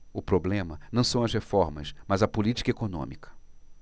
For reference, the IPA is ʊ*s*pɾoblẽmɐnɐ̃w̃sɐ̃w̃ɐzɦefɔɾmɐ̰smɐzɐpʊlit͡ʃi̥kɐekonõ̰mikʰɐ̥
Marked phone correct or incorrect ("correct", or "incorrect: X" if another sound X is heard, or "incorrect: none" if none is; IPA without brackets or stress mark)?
incorrect: none